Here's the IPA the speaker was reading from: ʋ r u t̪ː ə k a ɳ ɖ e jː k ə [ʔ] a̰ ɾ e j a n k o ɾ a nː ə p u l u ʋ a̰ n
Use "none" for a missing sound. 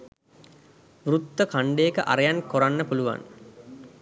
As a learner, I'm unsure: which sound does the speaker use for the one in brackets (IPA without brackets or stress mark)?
ʔ